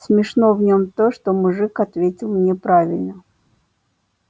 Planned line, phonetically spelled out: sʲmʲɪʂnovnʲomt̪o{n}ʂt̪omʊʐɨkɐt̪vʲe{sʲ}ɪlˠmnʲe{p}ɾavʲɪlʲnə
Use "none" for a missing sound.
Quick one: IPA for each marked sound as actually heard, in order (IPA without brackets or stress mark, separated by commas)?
none, tʲ, p